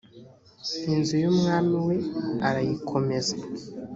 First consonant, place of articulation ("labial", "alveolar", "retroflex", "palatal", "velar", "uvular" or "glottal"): alveolar